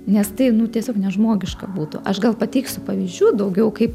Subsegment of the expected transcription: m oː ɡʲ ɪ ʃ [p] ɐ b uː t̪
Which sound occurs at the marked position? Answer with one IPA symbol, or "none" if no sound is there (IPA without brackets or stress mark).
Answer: k